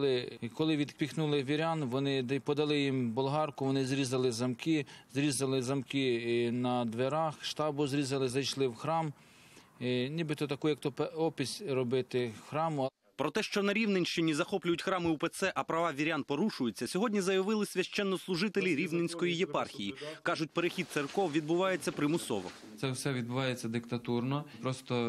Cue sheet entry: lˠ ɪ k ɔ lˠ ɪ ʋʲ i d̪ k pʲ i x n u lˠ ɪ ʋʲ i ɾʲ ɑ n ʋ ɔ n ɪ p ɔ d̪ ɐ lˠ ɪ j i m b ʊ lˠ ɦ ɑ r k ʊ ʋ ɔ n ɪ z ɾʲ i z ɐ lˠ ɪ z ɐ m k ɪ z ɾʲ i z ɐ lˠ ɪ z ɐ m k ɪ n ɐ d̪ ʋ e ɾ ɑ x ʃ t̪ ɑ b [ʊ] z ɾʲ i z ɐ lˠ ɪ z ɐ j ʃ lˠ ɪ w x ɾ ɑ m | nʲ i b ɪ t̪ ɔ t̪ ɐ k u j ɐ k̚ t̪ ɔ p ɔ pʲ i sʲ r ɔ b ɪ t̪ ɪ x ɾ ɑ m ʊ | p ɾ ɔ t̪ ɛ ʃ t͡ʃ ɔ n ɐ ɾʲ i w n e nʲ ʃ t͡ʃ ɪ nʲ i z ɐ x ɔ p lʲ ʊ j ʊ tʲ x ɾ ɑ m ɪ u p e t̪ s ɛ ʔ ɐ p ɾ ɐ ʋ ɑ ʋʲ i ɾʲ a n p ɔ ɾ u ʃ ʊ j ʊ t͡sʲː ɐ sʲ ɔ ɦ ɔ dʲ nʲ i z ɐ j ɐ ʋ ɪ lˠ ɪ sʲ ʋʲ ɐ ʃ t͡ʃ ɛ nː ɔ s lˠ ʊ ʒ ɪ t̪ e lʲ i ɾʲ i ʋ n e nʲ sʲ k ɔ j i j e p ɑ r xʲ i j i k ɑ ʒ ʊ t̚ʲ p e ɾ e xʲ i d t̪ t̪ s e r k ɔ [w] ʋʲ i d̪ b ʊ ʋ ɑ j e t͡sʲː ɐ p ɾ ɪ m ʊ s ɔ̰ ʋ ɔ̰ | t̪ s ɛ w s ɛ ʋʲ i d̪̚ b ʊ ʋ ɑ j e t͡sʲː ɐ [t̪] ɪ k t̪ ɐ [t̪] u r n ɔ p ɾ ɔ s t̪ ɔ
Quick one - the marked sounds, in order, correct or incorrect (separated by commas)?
correct, correct, incorrect, correct